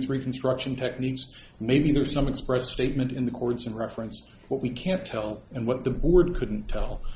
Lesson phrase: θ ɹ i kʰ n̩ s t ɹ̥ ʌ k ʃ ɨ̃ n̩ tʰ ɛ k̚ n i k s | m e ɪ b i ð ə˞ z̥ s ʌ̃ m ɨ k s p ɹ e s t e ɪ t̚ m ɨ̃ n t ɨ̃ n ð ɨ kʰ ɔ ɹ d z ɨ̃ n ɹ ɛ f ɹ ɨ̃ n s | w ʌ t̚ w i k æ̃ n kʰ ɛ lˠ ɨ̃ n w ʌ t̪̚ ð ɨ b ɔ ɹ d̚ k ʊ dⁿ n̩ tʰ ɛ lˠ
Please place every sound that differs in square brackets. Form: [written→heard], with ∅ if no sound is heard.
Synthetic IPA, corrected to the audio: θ ɹ i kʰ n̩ s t ɹ̥ ʌ k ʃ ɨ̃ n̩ tʰ ɛ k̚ n i k s | m e ɪ b i ð ə˞ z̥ s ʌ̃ m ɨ k s p ɹ [e→ɛ] s t e ɪ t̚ m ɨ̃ n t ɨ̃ n ð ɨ kʰ ɔ ɹ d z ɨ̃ n ɹ ɛ f ɹ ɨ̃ n s | w ʌ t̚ w i [k→kʰ] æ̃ n [kʰ→tʰ] ɛ lˠ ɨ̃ n w ʌ t̪̚ ð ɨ b ɔ ɹ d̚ [k→kʰ] ʊ dⁿ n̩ tʰ ɛ lˠ